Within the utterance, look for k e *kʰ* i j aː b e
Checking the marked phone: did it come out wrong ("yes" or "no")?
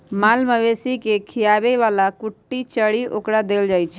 no